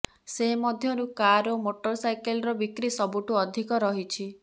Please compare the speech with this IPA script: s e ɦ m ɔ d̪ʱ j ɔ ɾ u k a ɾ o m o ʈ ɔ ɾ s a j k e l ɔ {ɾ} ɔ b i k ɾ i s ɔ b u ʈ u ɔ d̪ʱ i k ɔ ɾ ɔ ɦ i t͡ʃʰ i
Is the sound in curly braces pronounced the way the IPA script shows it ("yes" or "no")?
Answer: yes